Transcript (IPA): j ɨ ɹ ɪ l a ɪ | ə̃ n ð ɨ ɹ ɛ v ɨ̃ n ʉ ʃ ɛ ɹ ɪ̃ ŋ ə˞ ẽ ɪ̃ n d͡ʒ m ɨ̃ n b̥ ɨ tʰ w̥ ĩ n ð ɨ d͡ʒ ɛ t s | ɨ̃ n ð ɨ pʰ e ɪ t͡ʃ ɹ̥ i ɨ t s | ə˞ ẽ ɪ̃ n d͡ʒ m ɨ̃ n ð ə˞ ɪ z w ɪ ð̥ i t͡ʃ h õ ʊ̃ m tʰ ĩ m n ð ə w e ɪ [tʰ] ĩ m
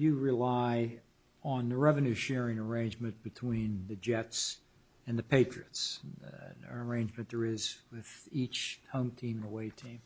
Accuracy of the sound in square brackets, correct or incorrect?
correct